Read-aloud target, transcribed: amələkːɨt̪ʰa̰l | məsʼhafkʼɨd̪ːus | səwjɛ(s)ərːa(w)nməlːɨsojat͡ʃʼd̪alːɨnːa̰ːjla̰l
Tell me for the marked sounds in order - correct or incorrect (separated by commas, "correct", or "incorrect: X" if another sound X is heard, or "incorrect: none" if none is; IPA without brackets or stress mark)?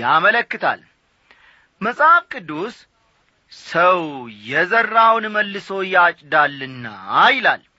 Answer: incorrect: z, correct